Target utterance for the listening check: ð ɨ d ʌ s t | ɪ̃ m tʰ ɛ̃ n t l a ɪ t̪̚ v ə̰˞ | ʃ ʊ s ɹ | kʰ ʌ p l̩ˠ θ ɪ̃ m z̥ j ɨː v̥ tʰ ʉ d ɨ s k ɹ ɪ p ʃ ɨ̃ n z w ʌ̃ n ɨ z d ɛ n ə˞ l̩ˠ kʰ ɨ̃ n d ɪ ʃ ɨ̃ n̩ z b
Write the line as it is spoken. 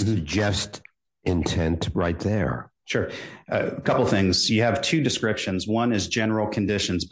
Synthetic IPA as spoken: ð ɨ d͡ʒ ʌ s t | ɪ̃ n tʰ ɛ̃ n t ɹ a ɪ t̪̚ ð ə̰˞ | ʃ ʊ ɹ | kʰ ʌ p l̩ˠ θ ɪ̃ ŋ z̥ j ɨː v̥ tʰ ʉ d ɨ s k ɹ ɪ p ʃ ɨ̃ n z w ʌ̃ n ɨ z d͡ʒ ɛ n ə˞ l̩ˠ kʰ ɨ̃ n d ɪ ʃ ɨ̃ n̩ z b

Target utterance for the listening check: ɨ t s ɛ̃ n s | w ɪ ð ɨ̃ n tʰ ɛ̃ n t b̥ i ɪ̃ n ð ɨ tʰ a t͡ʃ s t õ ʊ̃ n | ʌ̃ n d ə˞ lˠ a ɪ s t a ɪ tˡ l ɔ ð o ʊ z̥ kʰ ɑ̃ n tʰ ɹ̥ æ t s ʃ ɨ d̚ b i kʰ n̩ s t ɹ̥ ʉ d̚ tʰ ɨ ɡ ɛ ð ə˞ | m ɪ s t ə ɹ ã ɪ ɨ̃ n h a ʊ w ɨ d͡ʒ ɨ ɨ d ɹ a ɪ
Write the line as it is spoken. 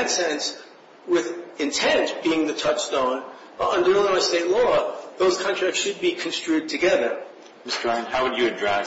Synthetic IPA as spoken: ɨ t s ɛ̃ n s | w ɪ ð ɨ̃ n tʰ ɛ̃ n t b̥ i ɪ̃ ŋ ð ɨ tʰ ʌ t͡ʃ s t õ ʊ̃ n | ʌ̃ n d ə˞ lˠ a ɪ s t e ɪ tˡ l ɔ ð o ʊ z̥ kʰ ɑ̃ n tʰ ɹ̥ æ k s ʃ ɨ d̚ b i kʰ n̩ s t ɹ̥ ʉ d̚ tʰ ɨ ɡ ɛ ð ə˞ | m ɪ s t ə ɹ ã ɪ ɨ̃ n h a ʊ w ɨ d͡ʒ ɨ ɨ d ɹ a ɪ

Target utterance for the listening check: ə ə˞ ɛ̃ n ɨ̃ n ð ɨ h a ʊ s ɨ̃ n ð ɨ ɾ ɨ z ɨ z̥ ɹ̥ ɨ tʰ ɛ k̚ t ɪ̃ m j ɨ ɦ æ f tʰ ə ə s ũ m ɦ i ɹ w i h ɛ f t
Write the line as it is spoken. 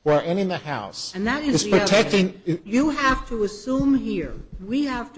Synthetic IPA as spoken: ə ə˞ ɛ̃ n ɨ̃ n ð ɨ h a ʊ s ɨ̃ n ð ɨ ɾ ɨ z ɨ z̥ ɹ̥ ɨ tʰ ɛ k̚ t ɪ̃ ŋ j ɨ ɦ æ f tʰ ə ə s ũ m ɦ i ɹ w i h æ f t

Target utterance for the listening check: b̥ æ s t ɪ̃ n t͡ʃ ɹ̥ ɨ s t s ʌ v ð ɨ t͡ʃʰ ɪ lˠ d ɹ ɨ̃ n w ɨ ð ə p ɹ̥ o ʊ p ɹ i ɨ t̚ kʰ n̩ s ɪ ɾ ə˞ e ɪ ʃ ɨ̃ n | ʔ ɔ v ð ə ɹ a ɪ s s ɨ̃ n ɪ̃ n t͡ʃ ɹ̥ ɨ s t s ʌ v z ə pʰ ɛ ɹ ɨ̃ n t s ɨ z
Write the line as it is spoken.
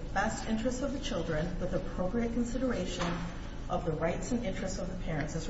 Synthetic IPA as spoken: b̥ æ s t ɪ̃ n t͡ʃ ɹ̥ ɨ s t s ʌ v ð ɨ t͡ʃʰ ɪ lˠ d ɹ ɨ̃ n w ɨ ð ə pʰ ɹ̥ o ʊ p ɹ i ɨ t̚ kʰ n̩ s ɪ ɾ ə˞ e ɪ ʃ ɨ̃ n | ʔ ʌ v ð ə ɹ a ɪ t s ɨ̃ n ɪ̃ n t͡ʃ ɹ̥ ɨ s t s ʌ v ð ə pʰ ɛ ɹ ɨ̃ n t s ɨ z

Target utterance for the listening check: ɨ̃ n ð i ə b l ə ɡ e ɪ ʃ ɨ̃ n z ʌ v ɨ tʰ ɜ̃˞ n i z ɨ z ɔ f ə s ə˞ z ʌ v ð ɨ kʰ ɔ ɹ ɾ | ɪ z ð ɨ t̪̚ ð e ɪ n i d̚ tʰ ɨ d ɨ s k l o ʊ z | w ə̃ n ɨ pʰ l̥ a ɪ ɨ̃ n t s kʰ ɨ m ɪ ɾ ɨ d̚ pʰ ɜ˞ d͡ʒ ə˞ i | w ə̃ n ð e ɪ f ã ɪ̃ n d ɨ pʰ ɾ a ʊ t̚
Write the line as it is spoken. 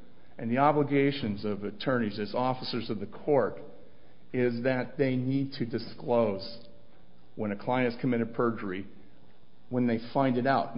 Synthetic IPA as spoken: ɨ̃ n ð i ɑ b l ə ɡ e ɪ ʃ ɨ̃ n z ʌ v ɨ tʰ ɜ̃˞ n i z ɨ z ɔ f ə s ə˞ z ʌ v ð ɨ kʰ ɔ ɹ ɾ | ɪ z ð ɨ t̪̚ ð e ɪ n i d̚ tʰ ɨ d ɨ s k l o ʊ z | w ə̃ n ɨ kʰ l̥ a ɪ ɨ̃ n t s kʰ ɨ m ɪ ɾ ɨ d̚ pʰ ɜ˞ d͡ʒ ə˞ i | w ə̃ n ð e ɪ f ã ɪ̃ n d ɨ ɾ a ʊ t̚

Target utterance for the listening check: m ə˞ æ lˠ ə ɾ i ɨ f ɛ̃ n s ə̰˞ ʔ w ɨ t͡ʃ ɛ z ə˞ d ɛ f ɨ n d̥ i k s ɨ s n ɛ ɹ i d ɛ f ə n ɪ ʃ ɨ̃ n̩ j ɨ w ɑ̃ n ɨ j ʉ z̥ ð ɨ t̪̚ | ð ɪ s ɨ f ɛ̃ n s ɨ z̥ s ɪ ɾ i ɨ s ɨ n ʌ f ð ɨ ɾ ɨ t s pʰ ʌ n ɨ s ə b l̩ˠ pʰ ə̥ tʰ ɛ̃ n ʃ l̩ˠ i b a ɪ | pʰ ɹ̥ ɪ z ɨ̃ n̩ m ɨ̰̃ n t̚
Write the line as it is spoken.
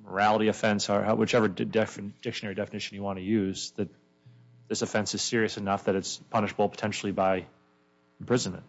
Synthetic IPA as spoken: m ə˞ æ lˠ ə ɾ i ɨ f ɛ̃ n s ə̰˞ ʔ w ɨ t͡ʃ ɛ v ə˞ d ɛ f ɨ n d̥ ɪ k ʃ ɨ n ɛ ɹ i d ɛ f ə n ɪ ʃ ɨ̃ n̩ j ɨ w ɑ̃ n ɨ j ʉ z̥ ð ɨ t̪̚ | ð ɪ s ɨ f ɛ̃ n s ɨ z̥ s ɪ ɹ i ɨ s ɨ n ʌ f ð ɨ ɾ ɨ t s pʰ ʌ n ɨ ʃ ə b l̩ˠ pʰ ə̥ tʰ ɛ̃ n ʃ l̩ˠ i b a ɪ | pʰ ɹ̥ ɪ z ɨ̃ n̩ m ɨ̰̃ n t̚

